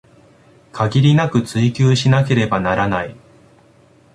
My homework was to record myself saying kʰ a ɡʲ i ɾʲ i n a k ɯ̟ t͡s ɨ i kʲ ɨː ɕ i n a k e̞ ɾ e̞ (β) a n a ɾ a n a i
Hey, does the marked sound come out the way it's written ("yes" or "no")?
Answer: no